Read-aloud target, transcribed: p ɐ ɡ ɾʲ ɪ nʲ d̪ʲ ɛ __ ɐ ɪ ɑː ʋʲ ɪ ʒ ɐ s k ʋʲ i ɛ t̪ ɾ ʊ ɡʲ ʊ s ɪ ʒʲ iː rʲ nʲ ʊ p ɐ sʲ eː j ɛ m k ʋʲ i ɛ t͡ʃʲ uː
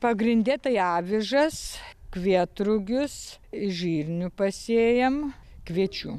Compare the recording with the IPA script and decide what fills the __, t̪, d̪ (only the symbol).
t̪